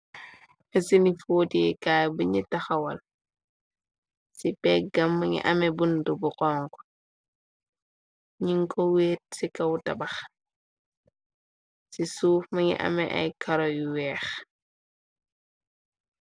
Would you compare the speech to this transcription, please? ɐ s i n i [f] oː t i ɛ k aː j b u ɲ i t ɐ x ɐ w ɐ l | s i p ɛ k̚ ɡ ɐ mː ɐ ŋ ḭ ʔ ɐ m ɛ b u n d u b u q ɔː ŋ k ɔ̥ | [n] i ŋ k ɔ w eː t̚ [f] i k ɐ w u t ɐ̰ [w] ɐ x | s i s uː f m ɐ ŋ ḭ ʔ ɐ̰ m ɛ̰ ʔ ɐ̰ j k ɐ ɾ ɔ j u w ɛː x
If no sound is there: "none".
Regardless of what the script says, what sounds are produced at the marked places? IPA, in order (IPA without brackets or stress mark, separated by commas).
f, ɲ, s, b